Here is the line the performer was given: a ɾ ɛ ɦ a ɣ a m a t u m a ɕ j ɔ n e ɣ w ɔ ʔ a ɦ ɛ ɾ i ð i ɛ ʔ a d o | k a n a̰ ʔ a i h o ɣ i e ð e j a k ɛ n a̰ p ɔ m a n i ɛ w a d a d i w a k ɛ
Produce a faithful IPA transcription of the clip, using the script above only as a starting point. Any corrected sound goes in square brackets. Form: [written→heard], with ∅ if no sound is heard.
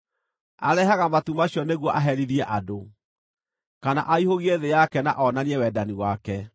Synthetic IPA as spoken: a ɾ ɛ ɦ a ɣ a m a t u m a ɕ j ɔ n e ɣ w ɔ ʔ a ɦ ɛ ɾ i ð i ɛ ʔ a d o | k a n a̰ ʔ a i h o ɣ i e ð e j a k ɛ n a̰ [p→ʔ] ɔ [m→n] a n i ɛ w [a→ɛ] d a [d→n] i w a k ɛ